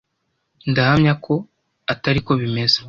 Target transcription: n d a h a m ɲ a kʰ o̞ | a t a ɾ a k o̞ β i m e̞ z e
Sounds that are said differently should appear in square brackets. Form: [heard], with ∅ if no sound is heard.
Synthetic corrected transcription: n d a h a m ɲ a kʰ o̞ | a t a ɾ [i] k o̞ β i m e̞ z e